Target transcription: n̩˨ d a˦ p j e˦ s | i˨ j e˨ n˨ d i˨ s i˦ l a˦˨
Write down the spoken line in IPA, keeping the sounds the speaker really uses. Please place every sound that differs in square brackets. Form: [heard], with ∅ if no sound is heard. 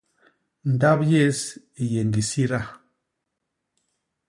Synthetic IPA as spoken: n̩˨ d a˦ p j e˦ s | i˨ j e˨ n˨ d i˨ s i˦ [ɾ] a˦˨